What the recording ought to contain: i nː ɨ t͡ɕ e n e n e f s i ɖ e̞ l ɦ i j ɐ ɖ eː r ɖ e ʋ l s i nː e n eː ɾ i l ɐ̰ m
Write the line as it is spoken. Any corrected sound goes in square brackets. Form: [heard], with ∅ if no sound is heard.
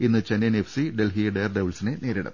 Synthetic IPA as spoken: i nː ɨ t͡ɕ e n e n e f s i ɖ e̞ l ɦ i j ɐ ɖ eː r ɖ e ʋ l s i [n] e n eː ɾ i [ɽ] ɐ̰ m